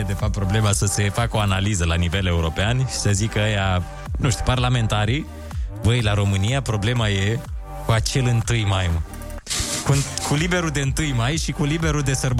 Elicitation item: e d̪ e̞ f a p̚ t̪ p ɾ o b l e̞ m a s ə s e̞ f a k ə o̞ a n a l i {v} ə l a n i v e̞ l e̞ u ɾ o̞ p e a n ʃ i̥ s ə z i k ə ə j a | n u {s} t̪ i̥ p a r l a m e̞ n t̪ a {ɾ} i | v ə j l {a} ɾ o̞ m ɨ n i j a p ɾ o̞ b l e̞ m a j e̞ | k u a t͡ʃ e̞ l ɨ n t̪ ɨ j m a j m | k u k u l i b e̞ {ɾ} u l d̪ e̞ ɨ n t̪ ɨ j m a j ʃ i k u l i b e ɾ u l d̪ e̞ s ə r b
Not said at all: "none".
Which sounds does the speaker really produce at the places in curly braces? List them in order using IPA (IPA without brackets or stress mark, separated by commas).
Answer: z, ʃ, ɾ, a, ɾ